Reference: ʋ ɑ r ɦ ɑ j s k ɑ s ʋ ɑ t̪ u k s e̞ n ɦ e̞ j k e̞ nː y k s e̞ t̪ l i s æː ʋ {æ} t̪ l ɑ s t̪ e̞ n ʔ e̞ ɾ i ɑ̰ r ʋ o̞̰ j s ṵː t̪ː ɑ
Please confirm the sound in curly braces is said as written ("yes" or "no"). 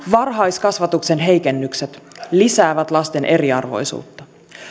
yes